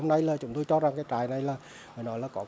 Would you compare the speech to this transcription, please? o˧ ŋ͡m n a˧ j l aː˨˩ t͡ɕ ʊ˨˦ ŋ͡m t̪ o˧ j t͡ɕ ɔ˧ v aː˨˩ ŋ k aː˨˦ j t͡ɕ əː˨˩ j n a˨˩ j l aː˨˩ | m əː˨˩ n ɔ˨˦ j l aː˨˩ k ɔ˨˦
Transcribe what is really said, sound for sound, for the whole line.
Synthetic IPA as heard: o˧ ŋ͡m n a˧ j l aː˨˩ t͡ɕ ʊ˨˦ ŋ͡m t̪ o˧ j t͡ɕ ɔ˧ z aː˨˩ ŋ k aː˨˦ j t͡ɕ aː˨˩ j n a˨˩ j l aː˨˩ | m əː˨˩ n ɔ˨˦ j l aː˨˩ k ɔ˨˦